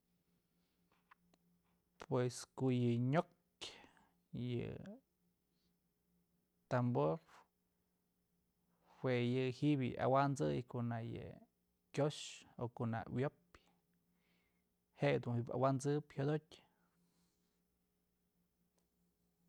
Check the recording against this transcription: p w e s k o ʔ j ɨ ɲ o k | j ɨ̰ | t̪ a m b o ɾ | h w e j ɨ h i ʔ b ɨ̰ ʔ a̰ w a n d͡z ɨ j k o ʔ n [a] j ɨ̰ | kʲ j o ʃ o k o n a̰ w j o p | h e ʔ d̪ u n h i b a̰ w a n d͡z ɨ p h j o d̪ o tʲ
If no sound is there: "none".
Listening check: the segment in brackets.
a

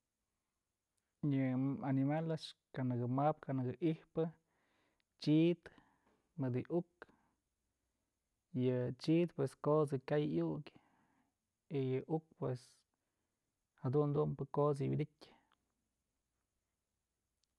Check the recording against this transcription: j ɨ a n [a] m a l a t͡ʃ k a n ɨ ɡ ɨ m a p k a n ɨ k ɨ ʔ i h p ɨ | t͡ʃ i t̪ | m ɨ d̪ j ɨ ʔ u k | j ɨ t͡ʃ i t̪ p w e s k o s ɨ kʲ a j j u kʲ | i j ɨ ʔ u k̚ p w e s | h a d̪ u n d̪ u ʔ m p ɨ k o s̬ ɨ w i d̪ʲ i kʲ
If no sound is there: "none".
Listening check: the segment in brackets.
i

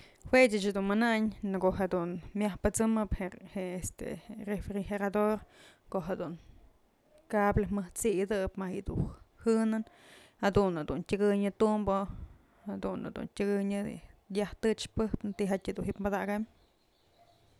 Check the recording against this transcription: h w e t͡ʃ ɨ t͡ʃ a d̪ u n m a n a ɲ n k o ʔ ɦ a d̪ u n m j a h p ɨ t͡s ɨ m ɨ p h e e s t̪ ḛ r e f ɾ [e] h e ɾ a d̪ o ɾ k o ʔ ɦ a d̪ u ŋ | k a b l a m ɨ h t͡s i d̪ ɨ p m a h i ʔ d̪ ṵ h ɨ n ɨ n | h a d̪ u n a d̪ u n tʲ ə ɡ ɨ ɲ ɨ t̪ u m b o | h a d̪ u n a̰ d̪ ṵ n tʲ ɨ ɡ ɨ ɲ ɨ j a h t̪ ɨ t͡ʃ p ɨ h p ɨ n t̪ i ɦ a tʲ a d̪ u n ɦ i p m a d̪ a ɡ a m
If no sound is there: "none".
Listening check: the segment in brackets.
i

